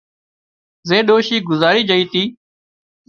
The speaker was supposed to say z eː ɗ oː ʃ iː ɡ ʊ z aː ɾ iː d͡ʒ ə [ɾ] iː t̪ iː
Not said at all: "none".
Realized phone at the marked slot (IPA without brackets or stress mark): none